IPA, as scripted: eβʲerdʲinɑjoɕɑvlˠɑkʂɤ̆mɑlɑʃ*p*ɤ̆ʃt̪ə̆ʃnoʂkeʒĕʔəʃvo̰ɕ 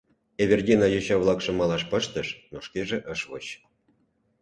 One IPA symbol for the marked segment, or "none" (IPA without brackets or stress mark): p